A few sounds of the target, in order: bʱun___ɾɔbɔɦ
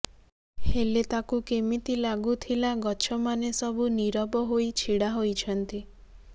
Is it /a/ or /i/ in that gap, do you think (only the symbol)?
i